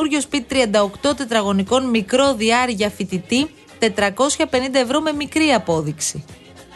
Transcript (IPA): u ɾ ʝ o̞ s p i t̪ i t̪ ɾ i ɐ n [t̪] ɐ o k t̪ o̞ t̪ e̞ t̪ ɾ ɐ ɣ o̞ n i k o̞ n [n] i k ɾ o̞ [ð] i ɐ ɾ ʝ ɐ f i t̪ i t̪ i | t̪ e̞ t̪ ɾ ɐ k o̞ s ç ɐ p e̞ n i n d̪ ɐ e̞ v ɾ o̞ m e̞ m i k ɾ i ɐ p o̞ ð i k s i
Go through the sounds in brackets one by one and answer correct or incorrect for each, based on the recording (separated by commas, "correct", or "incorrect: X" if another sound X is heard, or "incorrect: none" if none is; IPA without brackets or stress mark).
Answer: incorrect: d̪, incorrect: m, correct